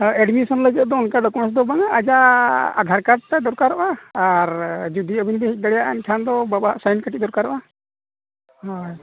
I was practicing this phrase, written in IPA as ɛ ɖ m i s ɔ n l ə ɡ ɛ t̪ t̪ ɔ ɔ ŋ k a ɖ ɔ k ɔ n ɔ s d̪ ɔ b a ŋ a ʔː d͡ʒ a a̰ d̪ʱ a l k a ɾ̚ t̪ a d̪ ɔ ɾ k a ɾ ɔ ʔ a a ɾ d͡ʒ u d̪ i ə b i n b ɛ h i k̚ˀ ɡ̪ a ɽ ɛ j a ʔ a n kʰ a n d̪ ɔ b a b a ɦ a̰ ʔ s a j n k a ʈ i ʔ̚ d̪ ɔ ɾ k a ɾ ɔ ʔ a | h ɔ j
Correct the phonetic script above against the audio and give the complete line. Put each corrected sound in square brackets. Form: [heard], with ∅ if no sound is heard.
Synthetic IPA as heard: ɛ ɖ m i s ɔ n l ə ɡ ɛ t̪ [d̪] ɔ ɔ [n] k a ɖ ɔ k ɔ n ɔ s d̪ ɔ b a ŋ a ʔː d͡ʒ a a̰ d̪ʱ a [ɾ] k a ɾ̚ t̪ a d̪ ɔ ɾ k a ɾ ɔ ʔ a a ɾ d͡ʒ u d̪ i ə b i n b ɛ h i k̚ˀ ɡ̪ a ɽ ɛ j a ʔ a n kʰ a n d̪ ɔ b a b a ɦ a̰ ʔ s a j n k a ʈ i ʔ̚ d̪ ɔ ɾ k a ɾ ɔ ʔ a | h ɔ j

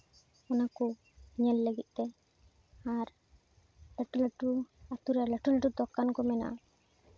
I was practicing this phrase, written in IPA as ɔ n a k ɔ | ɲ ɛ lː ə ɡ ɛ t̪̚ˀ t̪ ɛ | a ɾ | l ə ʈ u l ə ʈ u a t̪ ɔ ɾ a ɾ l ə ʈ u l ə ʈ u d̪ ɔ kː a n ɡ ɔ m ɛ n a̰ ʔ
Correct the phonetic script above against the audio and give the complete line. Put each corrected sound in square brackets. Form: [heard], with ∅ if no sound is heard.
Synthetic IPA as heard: ɔ n a k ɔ | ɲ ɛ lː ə ɡ [i] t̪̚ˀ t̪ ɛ | a ɾ | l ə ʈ u l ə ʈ u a t̪ [u] ɾ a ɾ l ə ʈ u l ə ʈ u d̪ ɔ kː a n [k] ɔ m ɛ n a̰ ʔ

